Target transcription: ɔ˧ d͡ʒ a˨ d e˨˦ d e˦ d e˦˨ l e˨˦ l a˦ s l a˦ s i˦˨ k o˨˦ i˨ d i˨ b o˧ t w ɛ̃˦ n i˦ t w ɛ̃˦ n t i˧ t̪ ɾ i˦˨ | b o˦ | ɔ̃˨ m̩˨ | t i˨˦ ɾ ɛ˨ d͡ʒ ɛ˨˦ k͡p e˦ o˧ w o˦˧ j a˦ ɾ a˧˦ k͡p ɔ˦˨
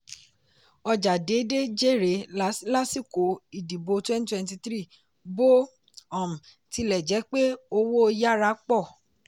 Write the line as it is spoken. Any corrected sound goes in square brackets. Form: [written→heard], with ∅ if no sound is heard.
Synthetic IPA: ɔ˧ d͡ʒ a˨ d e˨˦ d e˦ [d→d͡ʒ] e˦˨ [l→ɾ] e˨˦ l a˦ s l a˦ s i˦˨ k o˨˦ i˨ d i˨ b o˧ t w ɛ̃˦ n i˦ t w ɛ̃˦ n t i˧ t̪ ɾ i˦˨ | b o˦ | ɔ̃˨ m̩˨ | t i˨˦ [ɾ→l] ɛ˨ d͡ʒ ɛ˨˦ k͡p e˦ o˧ w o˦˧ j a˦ ɾ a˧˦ k͡p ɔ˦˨